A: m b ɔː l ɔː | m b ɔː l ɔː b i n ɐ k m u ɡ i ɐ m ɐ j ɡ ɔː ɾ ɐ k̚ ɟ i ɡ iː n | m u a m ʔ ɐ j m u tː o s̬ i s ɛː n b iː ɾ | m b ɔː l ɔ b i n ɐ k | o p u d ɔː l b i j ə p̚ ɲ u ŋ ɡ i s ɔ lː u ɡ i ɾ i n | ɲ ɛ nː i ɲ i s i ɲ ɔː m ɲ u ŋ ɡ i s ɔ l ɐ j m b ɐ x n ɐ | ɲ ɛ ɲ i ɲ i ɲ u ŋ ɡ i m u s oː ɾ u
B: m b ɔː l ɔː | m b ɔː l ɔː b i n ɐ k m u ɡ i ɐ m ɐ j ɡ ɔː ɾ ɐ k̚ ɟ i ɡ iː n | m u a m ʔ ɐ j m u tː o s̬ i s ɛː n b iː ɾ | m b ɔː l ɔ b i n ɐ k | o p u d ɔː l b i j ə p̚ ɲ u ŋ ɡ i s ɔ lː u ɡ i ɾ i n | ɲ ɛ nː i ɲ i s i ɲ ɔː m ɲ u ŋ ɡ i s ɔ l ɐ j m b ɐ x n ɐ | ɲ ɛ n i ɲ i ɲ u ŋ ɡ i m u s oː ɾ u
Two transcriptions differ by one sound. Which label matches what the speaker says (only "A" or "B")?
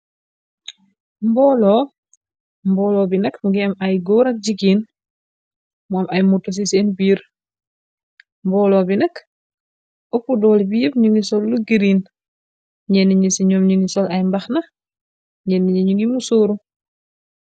B